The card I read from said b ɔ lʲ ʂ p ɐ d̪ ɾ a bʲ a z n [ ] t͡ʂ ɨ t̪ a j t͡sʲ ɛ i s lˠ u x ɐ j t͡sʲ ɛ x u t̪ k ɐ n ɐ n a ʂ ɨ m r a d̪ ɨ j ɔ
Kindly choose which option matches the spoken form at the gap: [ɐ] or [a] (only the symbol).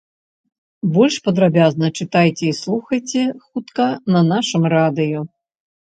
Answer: ɐ